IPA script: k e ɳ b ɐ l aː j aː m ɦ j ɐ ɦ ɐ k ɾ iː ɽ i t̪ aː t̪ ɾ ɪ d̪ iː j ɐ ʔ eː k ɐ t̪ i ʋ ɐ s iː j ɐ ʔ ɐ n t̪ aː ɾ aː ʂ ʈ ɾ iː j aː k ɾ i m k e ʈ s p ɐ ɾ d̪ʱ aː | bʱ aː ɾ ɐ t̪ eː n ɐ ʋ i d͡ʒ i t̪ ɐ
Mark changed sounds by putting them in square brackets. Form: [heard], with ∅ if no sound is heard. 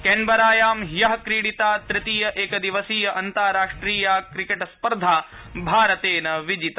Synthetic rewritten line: k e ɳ b ɐ [ɾ] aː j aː m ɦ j ɐ ɦ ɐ k ɾ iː ɽ i t̪ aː t̪ ɾ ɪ [t̪] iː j ɐ ʔ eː k ɐ [d̪] i ʋ ɐ s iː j ɐ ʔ ɐ n t̪ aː ɾ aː ʂ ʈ ɾ iː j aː k ɾ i [∅] k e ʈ s p ɐ ɾ d̪ʱ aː | bʱ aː ɾ ɐ t̪ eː n ɐ ʋ i d͡ʒ i t̪ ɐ